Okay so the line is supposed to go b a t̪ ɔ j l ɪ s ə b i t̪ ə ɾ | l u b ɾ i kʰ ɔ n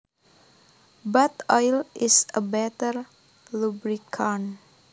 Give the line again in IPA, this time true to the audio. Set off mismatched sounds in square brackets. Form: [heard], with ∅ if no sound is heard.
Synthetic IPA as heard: b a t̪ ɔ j l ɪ s ə b [ɛ] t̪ ə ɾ | l u b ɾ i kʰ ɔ n